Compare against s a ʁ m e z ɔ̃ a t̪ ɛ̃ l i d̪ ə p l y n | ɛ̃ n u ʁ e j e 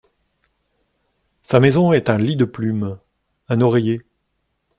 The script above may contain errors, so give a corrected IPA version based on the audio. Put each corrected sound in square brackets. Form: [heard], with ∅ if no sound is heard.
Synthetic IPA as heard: s a [∅] m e z ɔ̃ [ɛ] t̪ ɛ̃ l i d̪ ə p l y [m] | ɛ̃ n [ɔ] ʁ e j e